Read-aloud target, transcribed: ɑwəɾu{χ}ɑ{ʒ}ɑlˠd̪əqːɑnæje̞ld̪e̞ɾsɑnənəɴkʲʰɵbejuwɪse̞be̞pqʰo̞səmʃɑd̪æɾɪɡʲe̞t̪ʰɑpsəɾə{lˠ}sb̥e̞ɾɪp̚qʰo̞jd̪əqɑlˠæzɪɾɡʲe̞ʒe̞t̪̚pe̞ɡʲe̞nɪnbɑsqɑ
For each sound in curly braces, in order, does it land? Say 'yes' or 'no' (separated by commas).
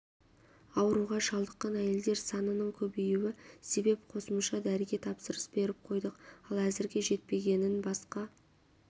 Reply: no, yes, no